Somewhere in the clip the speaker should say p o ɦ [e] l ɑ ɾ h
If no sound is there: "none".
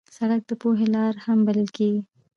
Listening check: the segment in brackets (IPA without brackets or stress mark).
e